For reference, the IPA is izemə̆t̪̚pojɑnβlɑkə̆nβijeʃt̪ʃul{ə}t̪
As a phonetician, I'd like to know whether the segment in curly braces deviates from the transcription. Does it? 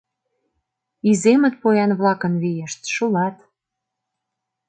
yes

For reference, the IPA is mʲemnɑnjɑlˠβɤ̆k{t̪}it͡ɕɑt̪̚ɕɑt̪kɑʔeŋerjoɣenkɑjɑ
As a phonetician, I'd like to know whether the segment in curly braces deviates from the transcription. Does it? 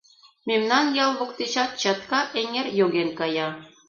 no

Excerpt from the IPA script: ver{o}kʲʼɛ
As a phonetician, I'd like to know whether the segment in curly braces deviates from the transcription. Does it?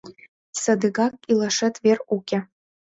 yes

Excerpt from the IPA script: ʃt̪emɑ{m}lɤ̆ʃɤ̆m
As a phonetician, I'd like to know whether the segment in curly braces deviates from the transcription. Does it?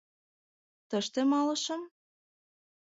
yes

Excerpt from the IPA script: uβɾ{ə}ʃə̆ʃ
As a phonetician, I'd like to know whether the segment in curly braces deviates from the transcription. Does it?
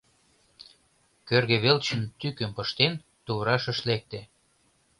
yes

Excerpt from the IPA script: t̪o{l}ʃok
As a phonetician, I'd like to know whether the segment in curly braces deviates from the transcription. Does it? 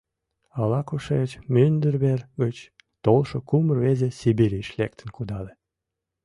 no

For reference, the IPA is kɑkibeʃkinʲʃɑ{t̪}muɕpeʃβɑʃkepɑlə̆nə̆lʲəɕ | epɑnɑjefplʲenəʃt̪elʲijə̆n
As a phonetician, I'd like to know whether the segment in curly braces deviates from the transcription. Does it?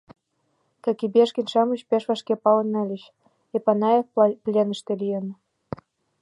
yes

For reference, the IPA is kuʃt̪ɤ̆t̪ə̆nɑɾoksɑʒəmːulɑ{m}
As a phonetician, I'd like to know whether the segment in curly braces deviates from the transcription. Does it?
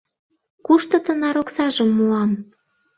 no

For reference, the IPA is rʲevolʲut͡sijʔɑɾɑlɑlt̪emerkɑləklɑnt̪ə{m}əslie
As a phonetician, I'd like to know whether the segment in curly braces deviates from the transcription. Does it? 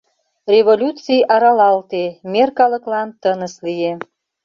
yes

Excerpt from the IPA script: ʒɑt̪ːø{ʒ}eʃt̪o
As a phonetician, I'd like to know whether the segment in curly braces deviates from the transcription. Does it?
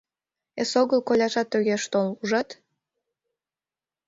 yes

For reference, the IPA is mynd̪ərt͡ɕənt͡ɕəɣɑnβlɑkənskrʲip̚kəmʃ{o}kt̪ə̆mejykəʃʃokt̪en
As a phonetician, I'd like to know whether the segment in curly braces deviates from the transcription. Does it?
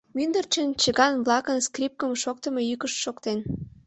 no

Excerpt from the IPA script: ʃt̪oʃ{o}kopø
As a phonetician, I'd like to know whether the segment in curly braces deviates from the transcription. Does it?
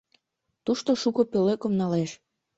yes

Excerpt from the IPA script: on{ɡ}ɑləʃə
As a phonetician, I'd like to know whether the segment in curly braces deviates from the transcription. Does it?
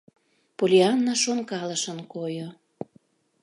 yes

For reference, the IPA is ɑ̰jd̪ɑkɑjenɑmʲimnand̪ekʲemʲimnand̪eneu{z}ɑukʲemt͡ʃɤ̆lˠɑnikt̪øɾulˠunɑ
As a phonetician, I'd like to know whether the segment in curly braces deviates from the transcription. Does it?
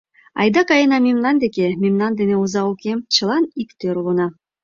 no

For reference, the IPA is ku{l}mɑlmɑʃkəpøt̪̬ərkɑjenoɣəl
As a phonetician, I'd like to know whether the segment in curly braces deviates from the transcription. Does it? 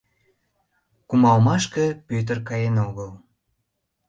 yes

